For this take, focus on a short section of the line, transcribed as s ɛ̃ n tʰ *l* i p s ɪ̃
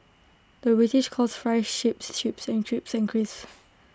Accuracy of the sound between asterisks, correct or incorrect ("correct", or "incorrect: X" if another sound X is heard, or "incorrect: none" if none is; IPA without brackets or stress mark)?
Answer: incorrect: ɹ